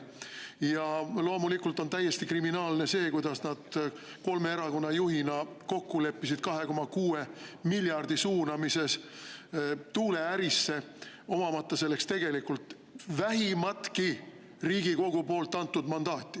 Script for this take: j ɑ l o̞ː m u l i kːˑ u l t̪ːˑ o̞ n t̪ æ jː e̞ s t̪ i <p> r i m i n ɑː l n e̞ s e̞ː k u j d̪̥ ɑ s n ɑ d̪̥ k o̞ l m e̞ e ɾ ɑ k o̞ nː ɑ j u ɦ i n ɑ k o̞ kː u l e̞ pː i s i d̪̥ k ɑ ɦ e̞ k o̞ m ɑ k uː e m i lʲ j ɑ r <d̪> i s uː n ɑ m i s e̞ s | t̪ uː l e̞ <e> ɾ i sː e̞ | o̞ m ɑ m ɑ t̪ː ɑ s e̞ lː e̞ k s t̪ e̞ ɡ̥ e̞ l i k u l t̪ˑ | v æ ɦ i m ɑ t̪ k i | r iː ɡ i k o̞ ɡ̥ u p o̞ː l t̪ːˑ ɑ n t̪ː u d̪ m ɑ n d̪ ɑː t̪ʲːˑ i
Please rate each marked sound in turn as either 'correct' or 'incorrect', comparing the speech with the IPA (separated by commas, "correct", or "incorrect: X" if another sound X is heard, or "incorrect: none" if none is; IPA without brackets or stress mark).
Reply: incorrect: k, correct, incorrect: æ